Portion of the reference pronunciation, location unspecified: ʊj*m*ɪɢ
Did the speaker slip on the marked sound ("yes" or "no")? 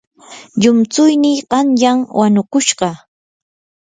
yes